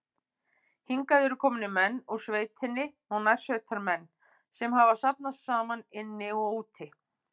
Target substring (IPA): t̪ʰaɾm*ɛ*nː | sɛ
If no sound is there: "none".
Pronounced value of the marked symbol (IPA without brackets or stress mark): ɛ